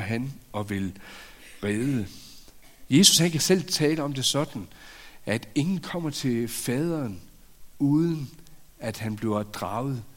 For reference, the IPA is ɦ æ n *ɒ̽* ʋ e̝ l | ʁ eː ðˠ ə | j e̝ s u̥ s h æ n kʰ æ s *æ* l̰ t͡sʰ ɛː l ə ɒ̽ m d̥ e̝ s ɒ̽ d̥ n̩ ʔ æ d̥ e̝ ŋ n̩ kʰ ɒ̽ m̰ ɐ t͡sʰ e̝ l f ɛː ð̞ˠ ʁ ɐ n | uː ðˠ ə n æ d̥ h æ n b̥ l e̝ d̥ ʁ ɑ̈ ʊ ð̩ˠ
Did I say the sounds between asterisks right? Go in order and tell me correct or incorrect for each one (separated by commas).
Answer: correct, incorrect